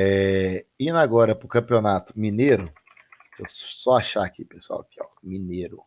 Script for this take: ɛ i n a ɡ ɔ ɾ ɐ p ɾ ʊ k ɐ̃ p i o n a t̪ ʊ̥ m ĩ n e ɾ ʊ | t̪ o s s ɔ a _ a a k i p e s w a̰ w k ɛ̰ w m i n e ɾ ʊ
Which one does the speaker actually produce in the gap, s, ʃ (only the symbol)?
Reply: ʃ